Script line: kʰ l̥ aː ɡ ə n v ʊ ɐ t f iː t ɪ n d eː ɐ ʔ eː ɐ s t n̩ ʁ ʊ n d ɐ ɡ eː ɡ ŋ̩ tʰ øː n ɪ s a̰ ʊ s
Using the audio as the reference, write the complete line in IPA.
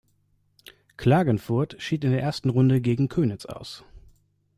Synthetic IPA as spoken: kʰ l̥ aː ɡ ə n f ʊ ɐ t ʃ iː t ɪ n d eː ɐ ʔ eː ɐ s t n̩ ʁ ʊ n d ə ɡ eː ɡ ŋ̩ kʰ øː n ɪ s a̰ ʊ s